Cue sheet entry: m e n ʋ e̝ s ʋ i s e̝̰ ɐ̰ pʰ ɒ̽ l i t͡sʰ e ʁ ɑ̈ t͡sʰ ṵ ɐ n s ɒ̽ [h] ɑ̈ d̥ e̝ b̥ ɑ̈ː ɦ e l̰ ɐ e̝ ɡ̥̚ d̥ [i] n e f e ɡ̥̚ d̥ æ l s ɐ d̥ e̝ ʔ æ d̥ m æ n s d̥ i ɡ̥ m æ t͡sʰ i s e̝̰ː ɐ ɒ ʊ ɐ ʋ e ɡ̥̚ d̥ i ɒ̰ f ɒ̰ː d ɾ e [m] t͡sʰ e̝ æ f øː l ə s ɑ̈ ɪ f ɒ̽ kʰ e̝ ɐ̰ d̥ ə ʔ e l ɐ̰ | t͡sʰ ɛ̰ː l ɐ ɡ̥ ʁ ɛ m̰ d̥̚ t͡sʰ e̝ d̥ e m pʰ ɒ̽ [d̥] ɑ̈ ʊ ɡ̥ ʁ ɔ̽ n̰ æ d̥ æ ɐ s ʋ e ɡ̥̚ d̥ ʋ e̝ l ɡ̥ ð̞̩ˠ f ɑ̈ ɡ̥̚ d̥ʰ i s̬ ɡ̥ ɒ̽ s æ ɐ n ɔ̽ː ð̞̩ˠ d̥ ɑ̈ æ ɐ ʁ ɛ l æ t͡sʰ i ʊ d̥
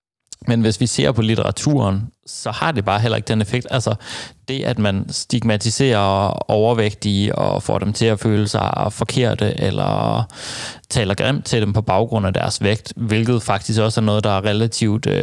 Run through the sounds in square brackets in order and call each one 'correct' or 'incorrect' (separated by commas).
correct, incorrect, correct, incorrect